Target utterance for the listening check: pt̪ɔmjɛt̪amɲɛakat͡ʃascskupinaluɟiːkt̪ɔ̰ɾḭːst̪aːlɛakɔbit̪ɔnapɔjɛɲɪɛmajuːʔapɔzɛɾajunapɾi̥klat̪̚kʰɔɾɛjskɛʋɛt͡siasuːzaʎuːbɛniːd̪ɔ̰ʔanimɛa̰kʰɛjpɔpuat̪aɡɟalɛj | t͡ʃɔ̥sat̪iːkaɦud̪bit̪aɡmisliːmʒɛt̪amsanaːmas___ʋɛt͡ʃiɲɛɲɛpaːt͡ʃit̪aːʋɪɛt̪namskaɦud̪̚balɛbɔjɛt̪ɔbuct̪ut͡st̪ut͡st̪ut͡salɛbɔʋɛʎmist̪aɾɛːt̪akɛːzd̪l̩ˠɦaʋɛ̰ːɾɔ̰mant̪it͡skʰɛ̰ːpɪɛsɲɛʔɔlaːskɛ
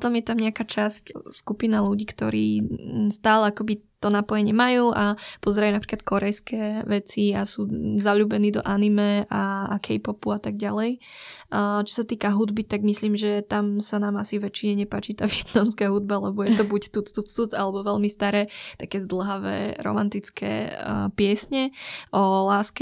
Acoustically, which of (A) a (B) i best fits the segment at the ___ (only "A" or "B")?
B